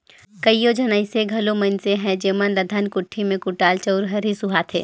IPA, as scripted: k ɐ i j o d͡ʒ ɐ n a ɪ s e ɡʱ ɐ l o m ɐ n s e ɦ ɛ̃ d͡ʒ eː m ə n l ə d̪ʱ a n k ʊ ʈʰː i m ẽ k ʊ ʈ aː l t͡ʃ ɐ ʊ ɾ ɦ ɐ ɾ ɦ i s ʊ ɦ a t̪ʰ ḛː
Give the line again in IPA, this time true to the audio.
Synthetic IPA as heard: k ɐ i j o d͡ʒ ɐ n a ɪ s e ɡʱ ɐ l o m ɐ n s e ɦ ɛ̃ d͡ʒ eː m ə n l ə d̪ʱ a n k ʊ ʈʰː i m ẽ k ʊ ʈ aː l t͡ʃ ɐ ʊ ɾ ɦ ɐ ɾ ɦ i s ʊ ɦ a t̪ʰ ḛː